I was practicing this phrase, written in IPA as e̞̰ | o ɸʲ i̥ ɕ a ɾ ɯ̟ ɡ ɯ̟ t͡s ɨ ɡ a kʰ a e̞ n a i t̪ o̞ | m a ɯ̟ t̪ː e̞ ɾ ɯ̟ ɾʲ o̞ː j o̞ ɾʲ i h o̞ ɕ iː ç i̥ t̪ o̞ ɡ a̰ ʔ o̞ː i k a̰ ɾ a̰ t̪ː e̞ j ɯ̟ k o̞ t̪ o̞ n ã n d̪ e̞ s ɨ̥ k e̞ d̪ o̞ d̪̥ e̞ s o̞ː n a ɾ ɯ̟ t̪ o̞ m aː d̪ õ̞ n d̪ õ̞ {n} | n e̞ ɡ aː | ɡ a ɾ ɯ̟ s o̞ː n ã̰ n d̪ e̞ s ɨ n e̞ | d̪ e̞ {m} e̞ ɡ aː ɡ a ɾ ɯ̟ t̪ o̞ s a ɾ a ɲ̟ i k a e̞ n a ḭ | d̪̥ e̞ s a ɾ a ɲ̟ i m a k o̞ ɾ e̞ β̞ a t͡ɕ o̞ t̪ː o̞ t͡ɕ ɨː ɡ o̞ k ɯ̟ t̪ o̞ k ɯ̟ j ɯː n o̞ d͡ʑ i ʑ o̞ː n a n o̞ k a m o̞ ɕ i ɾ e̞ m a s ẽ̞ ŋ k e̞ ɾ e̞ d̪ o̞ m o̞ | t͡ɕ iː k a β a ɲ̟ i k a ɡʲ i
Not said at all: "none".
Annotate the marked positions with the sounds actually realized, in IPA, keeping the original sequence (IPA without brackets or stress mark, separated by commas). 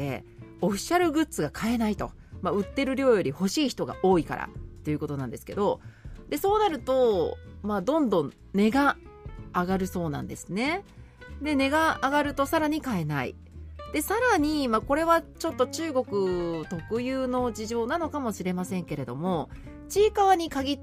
n, n